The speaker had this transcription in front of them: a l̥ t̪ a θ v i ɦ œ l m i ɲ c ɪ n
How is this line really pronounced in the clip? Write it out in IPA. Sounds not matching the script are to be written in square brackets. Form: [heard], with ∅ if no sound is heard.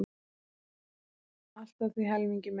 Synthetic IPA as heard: a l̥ t̪ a θ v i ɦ [ɛ] l m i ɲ c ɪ [m]